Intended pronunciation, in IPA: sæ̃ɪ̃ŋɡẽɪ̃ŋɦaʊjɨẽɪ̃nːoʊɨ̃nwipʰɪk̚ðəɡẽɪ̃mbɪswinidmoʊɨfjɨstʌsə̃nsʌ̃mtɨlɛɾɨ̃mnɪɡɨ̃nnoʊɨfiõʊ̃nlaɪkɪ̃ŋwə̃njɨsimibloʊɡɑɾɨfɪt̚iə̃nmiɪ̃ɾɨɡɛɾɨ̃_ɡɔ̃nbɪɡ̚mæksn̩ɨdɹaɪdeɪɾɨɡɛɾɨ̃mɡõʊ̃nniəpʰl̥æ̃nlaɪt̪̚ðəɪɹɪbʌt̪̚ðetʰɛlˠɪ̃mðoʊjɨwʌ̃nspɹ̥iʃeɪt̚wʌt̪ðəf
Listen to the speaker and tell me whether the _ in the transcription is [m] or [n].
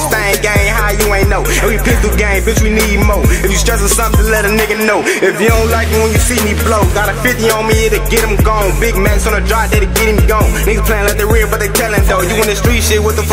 m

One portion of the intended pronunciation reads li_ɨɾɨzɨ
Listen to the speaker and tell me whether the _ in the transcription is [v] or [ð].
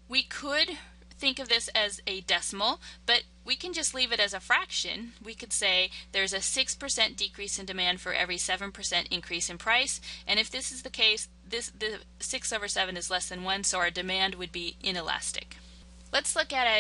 v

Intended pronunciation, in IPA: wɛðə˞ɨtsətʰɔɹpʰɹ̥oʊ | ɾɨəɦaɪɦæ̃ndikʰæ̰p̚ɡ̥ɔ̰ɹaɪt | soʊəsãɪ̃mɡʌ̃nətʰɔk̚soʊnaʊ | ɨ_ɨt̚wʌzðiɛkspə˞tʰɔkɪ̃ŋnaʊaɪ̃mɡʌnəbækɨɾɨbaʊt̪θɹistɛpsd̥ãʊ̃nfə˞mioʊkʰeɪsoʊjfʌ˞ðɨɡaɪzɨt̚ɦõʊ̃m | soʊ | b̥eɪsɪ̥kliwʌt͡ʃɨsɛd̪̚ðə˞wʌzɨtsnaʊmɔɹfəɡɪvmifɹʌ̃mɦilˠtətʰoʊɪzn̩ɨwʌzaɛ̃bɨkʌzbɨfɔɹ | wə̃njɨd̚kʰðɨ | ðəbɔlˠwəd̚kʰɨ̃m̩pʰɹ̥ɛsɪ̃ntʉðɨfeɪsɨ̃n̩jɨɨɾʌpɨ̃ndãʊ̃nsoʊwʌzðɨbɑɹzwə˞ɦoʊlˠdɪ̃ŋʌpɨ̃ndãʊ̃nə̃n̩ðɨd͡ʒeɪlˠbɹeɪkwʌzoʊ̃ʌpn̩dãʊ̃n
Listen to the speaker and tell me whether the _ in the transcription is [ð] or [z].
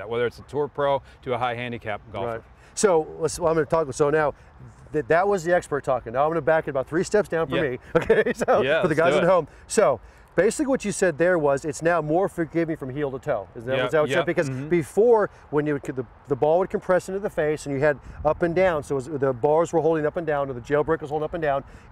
ð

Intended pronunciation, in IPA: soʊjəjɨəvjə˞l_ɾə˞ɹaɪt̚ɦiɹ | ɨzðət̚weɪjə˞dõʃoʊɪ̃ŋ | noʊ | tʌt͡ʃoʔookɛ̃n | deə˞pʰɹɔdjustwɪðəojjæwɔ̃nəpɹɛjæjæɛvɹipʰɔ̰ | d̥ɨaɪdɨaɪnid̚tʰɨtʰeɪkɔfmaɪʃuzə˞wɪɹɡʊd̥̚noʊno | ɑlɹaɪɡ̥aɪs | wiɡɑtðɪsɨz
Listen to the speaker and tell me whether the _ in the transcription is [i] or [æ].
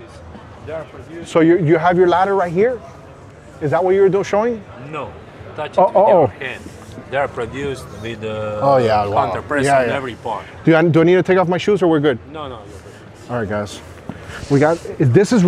æ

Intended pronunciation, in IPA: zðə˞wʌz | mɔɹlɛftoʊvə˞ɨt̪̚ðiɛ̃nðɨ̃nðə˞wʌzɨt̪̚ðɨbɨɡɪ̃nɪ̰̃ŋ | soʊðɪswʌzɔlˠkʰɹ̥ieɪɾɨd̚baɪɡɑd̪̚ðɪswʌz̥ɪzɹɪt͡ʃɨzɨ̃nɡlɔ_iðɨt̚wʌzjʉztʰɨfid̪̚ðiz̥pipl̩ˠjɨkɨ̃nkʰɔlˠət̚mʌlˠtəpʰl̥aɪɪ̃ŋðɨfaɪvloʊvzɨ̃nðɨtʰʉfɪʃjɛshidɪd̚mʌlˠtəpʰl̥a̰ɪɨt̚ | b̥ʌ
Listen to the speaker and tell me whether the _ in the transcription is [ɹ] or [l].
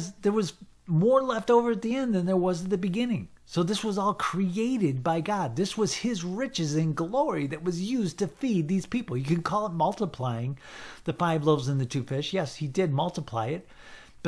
ɹ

